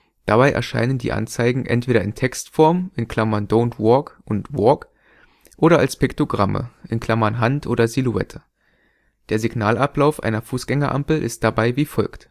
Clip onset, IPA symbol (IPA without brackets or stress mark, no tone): d̥